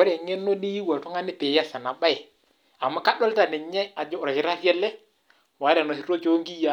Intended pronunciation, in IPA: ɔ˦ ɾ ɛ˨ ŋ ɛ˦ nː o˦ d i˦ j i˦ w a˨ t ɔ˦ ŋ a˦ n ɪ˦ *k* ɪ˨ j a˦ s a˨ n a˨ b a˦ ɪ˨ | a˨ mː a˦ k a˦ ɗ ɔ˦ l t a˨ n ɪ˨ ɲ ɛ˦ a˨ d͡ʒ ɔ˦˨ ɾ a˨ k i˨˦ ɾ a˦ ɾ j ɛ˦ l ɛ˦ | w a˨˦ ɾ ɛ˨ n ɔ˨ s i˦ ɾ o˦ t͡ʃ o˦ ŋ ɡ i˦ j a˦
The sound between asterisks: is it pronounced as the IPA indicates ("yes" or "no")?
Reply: no